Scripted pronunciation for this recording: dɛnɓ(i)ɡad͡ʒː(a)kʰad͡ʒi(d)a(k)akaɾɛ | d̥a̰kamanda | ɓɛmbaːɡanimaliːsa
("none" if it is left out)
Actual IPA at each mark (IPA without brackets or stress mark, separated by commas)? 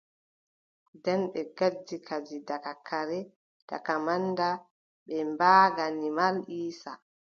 ɛ, i, d, k